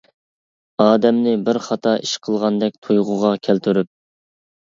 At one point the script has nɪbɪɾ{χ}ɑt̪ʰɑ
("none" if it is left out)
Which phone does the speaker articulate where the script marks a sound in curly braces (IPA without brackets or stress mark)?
χ